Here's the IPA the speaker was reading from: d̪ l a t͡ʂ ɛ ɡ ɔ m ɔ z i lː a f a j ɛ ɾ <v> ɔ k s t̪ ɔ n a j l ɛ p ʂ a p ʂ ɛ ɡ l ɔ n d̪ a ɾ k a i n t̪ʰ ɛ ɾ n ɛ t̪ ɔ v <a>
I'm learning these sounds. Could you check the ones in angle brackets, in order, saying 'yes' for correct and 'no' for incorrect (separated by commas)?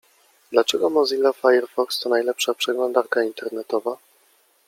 no, yes